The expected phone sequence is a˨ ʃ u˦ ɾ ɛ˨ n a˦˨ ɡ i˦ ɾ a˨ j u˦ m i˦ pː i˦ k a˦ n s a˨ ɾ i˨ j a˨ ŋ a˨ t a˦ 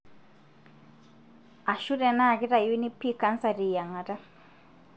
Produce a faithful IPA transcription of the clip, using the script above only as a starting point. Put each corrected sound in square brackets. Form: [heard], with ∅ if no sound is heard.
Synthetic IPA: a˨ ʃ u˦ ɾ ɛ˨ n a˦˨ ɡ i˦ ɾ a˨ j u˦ [n] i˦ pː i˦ k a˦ n s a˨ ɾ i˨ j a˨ ŋ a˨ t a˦